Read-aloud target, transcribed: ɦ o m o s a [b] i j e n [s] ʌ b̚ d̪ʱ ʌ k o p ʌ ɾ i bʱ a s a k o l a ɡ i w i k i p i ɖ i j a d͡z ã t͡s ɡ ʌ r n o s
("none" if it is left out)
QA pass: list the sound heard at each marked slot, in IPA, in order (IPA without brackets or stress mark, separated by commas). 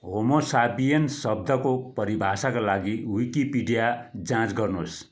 b, s